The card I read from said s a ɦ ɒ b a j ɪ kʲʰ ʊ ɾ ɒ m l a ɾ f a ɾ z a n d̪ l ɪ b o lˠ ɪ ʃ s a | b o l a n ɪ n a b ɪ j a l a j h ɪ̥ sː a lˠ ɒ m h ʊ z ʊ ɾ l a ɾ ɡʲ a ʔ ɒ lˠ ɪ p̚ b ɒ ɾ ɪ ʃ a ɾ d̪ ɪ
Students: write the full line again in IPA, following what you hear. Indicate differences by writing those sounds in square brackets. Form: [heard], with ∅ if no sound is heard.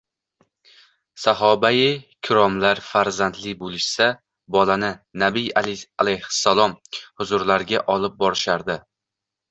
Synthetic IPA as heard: s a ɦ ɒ b a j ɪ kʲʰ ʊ ɾ ɒ m l a ɾ f a ɾ z a n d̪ l ɪ b o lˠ ɪ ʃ s a | b [ɒ] l a n ɪ n a b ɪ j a l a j h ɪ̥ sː a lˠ ɒ m h ʊ z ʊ ɾ l a ɾ ɡʲ a ʔ ɒ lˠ ɪ p̚ b ɒ ɾ ɪ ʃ a ɾ d̪ ɪ